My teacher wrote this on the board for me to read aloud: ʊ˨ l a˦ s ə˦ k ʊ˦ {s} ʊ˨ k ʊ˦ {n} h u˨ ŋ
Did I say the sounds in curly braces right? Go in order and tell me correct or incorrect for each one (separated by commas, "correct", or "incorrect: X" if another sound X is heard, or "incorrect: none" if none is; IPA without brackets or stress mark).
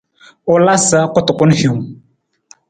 incorrect: t, correct